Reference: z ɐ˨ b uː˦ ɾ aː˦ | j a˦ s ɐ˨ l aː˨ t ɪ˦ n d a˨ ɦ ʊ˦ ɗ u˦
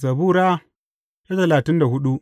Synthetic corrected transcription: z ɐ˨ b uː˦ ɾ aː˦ | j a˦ t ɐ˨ l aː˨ t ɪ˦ n d a˨ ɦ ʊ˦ ɗ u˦